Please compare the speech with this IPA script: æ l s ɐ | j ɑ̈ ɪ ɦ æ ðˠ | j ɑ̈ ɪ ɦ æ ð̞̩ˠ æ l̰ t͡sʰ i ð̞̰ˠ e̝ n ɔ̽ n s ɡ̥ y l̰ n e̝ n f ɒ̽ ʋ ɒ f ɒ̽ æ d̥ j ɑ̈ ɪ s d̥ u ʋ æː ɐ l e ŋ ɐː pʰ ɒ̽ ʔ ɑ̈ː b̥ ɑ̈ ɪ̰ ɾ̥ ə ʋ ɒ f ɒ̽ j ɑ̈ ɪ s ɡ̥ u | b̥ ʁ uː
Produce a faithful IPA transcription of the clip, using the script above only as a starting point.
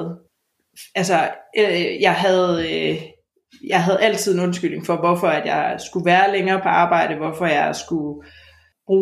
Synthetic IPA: æ l s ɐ | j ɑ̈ ɪ ɦ æ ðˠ | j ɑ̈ ɪ ɦ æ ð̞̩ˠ æ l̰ t͡sʰ i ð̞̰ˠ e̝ n ɔ̽ n s ɡ̥ y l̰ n e̝ ŋ f ɒ̽ ʋ ɒ f ɒ̽ æ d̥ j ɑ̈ ɪ s ɡ̥ u ʋ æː ɐ l e ŋ ɐː pʰ ɒ̽ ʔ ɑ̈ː b̥ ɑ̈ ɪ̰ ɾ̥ ə ʋ ɒ f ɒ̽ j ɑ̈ ɪ s ɡ̥ u | b̥ ʁ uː